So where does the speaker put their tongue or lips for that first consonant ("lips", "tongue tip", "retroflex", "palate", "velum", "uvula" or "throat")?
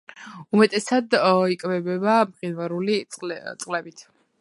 lips